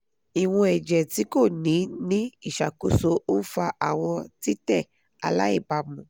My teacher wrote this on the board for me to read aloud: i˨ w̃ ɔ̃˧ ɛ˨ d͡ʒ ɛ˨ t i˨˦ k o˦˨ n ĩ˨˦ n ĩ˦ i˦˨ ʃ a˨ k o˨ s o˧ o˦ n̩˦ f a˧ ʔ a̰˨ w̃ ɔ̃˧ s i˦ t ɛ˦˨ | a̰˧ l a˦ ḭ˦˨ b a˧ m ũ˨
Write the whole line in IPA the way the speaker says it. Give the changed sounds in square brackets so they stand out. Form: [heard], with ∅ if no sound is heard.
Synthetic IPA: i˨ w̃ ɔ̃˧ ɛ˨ d͡ʒ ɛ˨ t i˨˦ k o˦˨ n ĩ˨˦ n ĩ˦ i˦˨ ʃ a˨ k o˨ s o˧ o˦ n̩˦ f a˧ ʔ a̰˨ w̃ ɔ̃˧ [t] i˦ t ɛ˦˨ | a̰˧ l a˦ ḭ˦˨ b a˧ m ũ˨